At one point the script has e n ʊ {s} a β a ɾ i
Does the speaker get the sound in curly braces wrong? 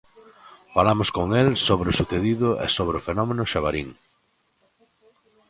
yes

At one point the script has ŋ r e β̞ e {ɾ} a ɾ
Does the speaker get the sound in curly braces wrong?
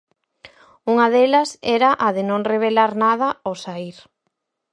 yes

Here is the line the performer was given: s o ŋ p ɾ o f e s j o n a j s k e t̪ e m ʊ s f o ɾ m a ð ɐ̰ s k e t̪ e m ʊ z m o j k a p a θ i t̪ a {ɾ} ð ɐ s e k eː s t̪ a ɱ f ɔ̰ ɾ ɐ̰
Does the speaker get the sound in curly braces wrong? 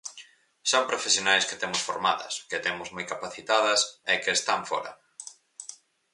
yes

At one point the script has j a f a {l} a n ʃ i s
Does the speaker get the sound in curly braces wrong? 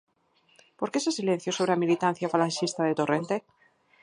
no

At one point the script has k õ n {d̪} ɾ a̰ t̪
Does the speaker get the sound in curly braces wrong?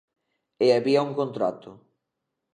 yes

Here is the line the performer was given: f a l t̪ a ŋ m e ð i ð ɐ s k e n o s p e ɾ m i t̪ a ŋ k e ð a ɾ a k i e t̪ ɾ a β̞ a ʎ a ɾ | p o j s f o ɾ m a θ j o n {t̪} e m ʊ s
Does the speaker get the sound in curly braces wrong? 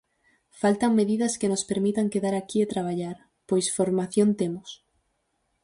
no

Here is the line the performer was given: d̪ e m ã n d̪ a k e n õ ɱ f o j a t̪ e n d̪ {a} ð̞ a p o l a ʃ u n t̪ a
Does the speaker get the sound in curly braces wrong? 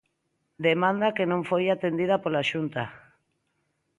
yes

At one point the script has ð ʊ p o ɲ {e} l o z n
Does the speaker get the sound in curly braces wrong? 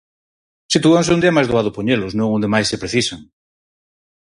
no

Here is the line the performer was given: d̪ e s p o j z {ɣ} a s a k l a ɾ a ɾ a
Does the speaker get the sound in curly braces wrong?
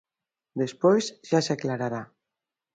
yes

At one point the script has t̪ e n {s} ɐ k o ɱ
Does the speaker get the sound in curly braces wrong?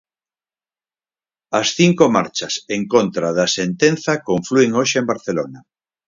yes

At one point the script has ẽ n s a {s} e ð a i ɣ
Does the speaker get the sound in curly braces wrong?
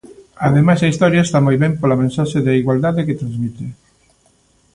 yes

